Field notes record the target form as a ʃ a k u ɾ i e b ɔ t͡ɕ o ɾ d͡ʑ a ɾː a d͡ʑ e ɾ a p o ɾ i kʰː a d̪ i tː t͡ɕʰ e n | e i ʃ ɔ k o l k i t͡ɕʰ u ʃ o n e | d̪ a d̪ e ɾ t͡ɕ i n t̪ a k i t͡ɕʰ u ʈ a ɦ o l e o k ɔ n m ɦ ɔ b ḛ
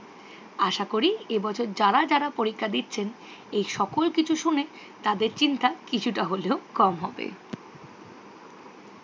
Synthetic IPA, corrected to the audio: a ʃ a k o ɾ i e b ɔ t͡ɕʰ o ɾ d͡ʑ a ɾ a d͡ʑ a ɾ a p o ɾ i kʰː a d̪ i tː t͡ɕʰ e n | e j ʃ ɔ k o l k i t͡ɕʰ u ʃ u n e | t̪ a d̪ e ɾ t͡ɕ i n t̪ a k i t͡ɕʰ u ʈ a ɦ o l e o k ɔ m ɦ ɔ b ḛ